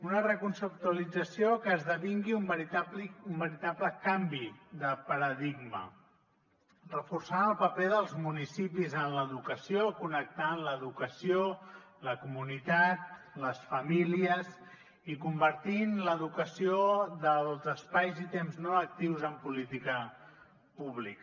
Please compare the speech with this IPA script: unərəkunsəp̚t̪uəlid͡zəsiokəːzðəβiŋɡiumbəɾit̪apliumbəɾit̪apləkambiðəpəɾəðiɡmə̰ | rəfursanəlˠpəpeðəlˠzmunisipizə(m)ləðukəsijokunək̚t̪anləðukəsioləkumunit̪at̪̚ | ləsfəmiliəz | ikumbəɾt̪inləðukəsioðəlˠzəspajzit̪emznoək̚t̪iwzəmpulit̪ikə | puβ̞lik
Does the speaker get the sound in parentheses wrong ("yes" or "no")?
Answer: yes